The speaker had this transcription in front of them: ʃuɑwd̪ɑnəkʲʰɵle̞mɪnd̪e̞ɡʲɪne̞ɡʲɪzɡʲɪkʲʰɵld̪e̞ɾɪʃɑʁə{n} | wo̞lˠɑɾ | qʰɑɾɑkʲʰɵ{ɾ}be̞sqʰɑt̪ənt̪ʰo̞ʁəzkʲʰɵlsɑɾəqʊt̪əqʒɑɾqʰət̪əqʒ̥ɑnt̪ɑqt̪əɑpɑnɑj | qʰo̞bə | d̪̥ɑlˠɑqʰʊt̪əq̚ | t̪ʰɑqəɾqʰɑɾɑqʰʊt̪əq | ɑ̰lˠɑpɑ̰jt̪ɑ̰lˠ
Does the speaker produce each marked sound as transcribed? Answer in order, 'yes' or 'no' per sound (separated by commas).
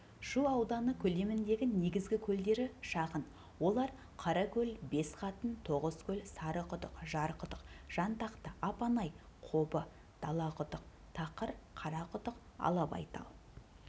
yes, no